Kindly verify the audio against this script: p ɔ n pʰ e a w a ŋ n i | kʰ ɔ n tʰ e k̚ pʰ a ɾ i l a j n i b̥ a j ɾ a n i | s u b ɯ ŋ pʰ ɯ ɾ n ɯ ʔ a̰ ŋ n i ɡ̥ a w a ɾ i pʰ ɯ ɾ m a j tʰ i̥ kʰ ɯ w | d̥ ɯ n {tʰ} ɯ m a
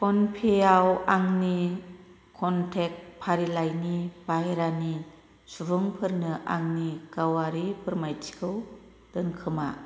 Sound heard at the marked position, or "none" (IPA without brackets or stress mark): kʰ